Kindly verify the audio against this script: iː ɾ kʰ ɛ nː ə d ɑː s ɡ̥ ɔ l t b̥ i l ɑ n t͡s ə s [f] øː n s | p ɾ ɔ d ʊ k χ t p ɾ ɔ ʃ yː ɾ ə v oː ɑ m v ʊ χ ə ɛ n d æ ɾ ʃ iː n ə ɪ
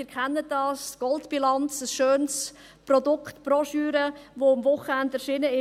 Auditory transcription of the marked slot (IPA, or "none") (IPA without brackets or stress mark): ʃ